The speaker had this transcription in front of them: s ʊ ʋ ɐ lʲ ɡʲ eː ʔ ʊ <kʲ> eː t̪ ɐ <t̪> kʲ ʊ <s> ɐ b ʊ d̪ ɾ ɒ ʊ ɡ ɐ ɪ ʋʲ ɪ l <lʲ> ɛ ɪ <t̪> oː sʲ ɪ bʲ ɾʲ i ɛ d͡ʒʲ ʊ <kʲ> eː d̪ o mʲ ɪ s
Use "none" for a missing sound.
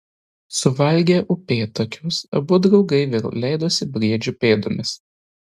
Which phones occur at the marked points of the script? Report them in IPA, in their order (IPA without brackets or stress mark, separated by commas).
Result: pʲ, none, s, lʲ, d̪, pʲ